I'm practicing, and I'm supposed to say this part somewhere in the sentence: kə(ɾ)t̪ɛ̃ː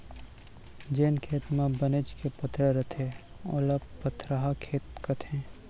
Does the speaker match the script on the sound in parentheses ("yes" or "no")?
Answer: no